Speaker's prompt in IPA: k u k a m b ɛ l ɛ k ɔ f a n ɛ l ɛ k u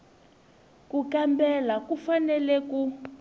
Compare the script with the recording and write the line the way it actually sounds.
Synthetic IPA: k u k a m b ɛ l a k u f a n ɛ l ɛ k u